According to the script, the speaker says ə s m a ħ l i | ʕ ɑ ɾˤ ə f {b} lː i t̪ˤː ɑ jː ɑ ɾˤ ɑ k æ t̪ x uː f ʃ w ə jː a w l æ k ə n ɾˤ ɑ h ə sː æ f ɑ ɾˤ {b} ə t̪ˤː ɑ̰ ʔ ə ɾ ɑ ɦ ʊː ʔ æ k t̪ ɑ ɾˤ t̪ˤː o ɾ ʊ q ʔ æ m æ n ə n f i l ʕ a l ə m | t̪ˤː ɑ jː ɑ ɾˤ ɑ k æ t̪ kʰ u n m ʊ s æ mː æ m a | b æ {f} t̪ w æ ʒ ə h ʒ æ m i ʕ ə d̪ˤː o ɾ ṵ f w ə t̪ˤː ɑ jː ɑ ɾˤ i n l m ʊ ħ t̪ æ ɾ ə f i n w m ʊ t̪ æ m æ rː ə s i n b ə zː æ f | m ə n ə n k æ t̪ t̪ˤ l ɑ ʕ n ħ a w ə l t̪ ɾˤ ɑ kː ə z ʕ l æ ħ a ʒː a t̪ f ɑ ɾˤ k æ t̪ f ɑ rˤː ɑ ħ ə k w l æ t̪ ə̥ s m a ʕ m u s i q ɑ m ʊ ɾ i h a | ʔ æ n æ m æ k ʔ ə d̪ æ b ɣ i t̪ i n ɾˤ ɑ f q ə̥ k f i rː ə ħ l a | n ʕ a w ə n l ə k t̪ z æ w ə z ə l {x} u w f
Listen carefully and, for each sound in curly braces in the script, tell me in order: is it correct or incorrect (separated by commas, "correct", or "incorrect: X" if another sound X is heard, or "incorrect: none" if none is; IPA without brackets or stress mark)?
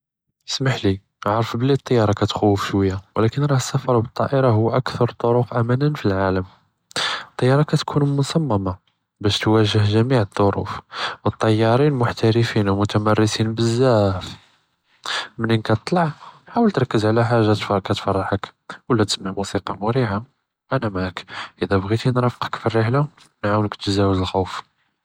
correct, correct, incorrect: ʃ, correct